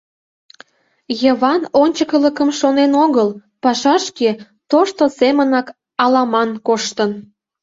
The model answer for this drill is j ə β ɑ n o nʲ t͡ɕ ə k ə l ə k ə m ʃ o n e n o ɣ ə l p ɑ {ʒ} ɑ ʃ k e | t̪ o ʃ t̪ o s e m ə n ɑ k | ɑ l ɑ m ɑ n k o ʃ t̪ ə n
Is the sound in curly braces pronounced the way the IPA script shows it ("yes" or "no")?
no